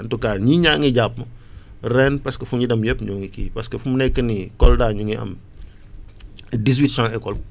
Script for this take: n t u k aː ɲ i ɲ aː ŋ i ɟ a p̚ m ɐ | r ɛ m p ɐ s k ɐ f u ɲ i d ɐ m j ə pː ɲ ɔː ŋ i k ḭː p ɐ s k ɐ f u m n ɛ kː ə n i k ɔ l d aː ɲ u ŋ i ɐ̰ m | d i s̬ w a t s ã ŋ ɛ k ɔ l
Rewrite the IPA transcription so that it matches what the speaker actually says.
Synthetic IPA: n t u k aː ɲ i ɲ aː ŋ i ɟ a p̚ m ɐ | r ɛ n p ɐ s k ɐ f u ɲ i d ɐ m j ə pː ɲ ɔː ŋ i k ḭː p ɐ s k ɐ f u m n ɛ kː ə n i k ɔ l d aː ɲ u ŋ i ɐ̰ m | d i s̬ w i t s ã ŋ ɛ k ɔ l